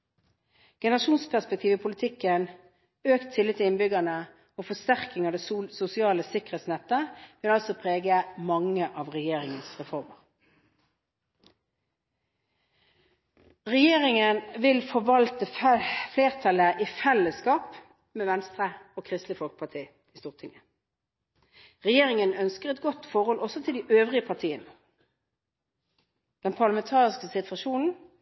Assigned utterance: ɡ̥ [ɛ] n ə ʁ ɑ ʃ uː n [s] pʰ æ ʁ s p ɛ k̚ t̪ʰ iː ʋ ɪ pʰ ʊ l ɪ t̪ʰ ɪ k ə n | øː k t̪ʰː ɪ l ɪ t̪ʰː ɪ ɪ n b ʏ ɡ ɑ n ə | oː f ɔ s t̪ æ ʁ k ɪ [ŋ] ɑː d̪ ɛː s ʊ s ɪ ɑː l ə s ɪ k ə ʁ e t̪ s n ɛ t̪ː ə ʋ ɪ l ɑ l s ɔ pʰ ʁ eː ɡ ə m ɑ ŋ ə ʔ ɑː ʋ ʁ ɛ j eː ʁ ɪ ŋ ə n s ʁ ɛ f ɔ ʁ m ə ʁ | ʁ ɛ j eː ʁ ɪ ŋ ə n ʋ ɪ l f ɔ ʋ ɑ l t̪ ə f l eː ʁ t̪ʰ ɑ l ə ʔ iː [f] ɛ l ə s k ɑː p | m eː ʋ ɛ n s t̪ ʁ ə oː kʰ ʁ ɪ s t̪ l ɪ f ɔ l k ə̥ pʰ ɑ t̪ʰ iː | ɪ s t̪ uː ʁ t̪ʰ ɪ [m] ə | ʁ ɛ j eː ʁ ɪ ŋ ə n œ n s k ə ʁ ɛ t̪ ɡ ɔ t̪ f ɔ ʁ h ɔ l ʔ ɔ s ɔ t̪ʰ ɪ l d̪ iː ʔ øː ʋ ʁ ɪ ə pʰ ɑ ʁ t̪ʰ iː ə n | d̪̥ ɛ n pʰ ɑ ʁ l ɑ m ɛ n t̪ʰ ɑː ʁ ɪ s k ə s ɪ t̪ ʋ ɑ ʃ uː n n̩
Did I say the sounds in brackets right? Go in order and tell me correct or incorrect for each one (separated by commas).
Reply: correct, correct, correct, correct, incorrect